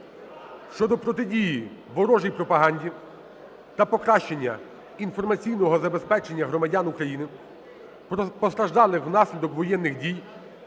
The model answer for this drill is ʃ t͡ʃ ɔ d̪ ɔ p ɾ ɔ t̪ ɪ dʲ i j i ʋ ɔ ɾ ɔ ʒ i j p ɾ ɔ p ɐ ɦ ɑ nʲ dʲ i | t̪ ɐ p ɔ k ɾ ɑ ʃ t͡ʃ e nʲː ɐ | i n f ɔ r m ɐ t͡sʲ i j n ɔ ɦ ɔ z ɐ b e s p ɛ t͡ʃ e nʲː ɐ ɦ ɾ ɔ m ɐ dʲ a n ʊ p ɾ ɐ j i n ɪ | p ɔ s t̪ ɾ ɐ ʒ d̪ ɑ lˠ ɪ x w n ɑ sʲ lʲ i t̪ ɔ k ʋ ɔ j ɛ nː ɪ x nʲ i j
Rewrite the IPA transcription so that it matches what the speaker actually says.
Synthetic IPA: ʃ t͡ʃ ɔ d̪ ɔ p ɾ ɔ t̪ ɪ dʲ i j i ʋ ɔ ɾ ɔ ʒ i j p ɾ ɔ p ɐ ɦ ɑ nʲ dʲ i | t̪ ɐ p ɔ k ɾ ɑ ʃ t͡ʃ e nʲː ɐ | i n f ɔ r m ɐ t͡sʲ i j n ɔ ɦ ɔ z ɐ b e s p ɛ t͡ʃ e nʲː ɐ ɦ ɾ ɔ m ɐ dʲ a n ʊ k ɾ ɐ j i n ɪ | p ɔ s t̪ ɾ ɐ ʒ d̪ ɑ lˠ ɪ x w n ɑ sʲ lʲ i d̪ ɔ k ʋ ɔ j ɛ nː ɪ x dʲ i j